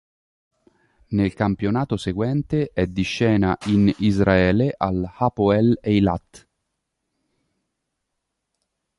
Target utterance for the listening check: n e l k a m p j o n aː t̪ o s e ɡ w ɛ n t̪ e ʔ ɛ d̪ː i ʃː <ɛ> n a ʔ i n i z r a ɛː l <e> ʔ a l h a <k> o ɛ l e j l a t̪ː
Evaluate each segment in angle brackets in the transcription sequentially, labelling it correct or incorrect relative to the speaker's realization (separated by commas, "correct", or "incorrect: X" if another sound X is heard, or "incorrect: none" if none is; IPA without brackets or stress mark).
incorrect: ɛː, correct, incorrect: p